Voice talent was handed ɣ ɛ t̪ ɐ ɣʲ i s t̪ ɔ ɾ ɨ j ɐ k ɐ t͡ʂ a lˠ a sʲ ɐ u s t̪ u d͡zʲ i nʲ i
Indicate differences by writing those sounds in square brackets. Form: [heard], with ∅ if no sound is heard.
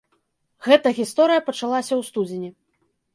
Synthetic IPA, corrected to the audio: ɣ ɛ t̪ ɐ ɣʲ i s t̪ ɔ ɾ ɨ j ɐ [p] ɐ t͡ʂ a lˠ a sʲ ɐ [w] s t̪ u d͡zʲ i nʲ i